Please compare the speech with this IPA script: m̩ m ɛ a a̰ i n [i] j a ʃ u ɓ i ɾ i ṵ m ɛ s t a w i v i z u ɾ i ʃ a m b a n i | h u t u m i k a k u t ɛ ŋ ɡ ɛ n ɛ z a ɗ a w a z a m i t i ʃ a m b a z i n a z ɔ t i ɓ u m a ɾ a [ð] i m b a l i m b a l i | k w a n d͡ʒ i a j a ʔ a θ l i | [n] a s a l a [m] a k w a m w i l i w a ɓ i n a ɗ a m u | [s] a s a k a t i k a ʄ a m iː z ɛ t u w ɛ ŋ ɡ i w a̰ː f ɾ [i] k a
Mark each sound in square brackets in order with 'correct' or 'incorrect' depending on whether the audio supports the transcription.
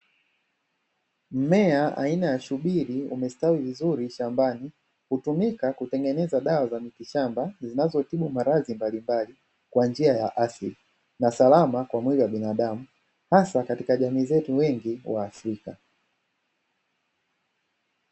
incorrect, incorrect, correct, correct, incorrect, correct

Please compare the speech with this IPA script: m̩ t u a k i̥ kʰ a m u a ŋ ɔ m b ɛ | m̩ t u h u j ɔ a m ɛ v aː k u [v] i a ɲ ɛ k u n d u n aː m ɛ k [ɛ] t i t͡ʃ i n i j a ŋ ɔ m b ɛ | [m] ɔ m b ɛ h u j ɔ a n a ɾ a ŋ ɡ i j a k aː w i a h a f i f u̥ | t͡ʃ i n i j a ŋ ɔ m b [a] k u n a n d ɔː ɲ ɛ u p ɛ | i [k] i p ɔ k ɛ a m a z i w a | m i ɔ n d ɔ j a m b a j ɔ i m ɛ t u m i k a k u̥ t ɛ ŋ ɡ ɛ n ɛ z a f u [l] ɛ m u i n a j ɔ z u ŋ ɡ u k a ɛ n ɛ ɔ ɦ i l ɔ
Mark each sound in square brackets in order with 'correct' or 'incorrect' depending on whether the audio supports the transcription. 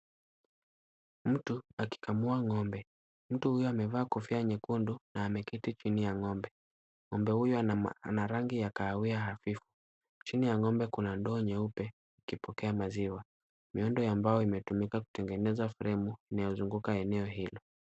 incorrect, incorrect, incorrect, incorrect, correct, incorrect

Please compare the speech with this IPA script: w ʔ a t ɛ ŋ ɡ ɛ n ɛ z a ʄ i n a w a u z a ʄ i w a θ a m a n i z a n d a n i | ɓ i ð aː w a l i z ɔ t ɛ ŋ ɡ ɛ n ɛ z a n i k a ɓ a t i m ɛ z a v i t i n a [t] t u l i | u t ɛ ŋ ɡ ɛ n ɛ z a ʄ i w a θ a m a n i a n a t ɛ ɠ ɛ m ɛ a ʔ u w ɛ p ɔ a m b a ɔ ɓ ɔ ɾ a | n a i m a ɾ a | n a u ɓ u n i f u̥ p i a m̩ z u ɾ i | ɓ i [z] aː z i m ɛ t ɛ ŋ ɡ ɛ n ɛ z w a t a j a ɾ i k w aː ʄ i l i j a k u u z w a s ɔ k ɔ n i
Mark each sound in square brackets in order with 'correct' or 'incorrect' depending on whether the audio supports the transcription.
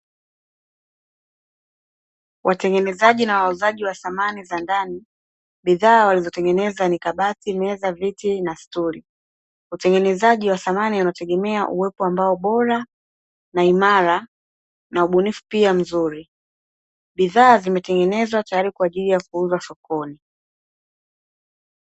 incorrect, incorrect

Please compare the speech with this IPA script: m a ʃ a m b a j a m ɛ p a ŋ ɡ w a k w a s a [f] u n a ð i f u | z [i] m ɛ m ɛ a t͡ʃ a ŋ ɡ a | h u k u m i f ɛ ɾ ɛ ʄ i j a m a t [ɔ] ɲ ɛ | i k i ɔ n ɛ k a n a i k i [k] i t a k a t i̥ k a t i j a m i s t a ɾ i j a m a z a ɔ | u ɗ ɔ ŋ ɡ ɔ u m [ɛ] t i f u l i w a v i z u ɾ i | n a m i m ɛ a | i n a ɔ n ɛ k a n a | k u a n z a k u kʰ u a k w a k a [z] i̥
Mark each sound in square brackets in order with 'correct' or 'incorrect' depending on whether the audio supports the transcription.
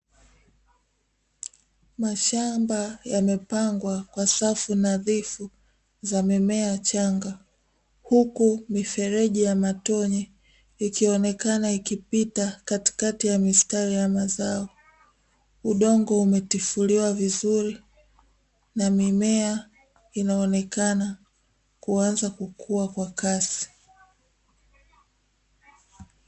correct, incorrect, correct, incorrect, correct, incorrect

